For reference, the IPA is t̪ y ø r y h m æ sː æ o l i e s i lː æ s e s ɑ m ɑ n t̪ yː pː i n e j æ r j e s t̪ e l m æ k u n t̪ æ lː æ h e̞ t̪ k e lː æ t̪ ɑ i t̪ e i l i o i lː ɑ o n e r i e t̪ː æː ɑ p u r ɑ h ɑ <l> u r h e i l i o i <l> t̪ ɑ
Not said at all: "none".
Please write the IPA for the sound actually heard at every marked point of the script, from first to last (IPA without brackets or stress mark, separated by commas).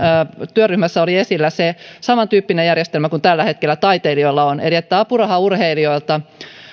none, l